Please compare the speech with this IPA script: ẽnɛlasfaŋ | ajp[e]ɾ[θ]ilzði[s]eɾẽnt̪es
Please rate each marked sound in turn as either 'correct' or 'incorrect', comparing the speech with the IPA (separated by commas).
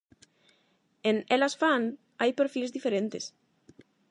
correct, incorrect, incorrect